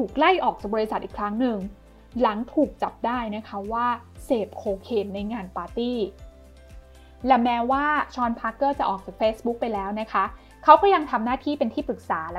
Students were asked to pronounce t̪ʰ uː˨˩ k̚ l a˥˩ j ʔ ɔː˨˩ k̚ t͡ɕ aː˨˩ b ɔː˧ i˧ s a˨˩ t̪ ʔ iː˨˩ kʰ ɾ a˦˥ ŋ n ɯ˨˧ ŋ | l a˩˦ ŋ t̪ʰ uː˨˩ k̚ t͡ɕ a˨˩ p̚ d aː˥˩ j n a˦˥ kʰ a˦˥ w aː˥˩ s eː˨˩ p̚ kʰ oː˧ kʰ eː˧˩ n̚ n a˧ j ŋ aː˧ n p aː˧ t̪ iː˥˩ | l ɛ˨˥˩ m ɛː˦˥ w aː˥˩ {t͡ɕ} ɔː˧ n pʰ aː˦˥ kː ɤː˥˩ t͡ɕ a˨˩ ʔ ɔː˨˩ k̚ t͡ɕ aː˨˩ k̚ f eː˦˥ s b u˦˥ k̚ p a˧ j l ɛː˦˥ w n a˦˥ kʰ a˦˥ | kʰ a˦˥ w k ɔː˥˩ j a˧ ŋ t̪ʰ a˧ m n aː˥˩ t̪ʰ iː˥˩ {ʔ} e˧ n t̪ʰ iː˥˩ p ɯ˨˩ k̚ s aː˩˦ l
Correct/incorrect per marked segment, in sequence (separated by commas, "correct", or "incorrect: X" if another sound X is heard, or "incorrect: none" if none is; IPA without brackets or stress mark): incorrect: t͡ɕʰ, incorrect: p